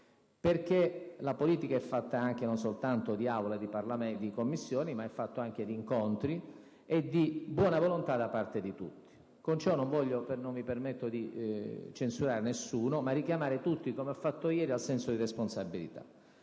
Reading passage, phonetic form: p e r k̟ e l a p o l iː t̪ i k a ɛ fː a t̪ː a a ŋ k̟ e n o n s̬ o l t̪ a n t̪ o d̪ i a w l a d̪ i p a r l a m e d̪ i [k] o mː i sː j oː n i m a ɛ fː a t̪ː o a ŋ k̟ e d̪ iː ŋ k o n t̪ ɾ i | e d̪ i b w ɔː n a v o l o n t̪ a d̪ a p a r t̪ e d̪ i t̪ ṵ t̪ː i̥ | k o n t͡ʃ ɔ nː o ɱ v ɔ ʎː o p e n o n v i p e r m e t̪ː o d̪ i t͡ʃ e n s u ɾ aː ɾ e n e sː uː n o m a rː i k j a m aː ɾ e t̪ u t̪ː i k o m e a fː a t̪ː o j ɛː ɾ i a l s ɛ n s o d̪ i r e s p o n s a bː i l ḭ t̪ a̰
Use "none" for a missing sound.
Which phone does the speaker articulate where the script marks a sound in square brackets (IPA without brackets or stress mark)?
k